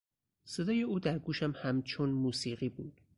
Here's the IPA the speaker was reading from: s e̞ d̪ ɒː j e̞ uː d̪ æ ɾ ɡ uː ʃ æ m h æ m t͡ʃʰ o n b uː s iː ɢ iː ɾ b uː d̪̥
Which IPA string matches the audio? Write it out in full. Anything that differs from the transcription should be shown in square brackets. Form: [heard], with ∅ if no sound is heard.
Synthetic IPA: s e̞ d̪ ɒː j e̞ uː d̪ æ ɾ ɡ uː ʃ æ m h æ m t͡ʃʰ o n [m] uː s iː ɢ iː [∅] b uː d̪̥